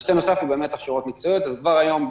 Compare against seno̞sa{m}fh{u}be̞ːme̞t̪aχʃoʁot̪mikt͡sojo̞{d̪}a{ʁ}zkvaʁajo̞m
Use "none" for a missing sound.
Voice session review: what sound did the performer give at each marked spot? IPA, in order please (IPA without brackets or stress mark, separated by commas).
none, u, t̪, none